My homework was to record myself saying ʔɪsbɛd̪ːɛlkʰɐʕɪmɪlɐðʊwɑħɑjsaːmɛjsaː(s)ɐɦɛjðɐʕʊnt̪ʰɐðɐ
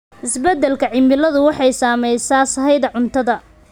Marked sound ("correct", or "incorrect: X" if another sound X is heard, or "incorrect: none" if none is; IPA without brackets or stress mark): correct